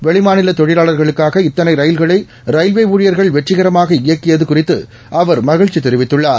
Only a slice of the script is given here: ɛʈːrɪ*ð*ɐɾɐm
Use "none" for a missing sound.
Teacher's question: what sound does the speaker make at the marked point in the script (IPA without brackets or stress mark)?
ɣ